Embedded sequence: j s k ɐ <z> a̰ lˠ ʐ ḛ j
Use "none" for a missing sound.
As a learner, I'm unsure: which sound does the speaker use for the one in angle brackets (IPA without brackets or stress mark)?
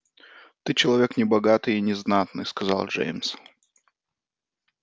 z